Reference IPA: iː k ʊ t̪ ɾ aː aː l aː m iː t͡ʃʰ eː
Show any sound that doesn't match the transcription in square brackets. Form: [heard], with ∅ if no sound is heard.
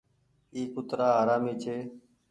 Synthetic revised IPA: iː k ʊ t̪ ɾ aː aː [ɾ] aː m iː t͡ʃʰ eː